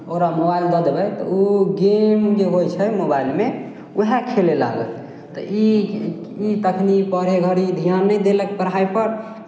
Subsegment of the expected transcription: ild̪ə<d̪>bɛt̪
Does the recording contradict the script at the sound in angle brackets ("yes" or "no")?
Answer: no